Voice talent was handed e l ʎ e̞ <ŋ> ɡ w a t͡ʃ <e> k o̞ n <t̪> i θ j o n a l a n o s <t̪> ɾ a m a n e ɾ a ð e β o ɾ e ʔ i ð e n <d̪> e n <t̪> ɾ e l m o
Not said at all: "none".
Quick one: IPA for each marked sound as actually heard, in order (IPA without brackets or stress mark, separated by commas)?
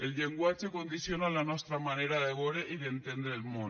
ŋ, e, d̪, t̪, t̪, d̪